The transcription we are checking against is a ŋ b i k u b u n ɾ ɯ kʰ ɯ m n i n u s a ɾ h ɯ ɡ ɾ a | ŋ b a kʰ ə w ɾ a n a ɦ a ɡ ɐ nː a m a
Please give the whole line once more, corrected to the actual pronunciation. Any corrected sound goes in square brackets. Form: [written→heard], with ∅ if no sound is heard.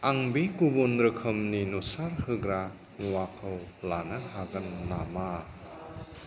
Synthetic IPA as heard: a ŋ b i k u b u n ɾ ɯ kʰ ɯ m n i n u s a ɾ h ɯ ɡ ɾ a | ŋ [b→w] a kʰ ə w [ɾ→l] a n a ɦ a ɡ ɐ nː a m a